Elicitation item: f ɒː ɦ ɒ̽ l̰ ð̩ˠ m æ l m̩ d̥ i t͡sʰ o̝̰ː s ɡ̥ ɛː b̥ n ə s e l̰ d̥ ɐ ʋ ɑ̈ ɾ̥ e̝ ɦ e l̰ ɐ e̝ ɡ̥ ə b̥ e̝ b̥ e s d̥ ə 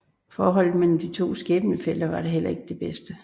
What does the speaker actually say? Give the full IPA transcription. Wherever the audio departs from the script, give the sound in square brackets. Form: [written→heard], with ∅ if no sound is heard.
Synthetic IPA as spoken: f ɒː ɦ ɒ̽ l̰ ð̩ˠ m [æ→e] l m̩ d̥ i t͡sʰ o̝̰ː s ɡ̥ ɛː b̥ n ə [s→f] e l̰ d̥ ɐ ʋ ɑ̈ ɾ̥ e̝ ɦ e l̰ ɐ e̝ ɡ̥ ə [b̥→d̥] e̝ b̥ e s d̥ ə